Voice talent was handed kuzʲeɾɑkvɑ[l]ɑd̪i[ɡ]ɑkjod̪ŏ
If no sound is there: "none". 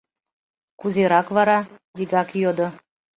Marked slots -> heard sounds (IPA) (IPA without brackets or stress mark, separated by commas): ɾ, ɡ